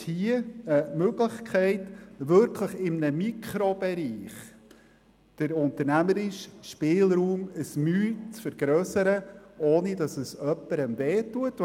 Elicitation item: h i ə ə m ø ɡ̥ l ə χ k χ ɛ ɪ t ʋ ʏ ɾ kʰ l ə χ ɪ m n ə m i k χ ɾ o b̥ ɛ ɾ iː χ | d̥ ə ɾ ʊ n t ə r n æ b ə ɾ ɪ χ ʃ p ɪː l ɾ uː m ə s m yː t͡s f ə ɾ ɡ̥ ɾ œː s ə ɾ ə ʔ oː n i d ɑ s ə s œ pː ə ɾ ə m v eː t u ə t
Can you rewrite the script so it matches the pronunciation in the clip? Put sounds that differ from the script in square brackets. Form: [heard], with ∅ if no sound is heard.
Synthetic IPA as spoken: h i ə ə m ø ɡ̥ l ə χ k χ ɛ ɪ t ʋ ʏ ɾ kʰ l ə χ ɪ m n ə m i k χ ɾ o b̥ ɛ ɾ iː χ | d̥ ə ɾ ʊ n t ə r n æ [m] ə ɾ ɪ [ʃ] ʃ p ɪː l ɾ uː m ə s m yː t͡s f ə ɾ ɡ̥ ɾ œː s ə ɾ ə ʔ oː n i d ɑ s ə s œ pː ə ɾ ə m v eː t u ə t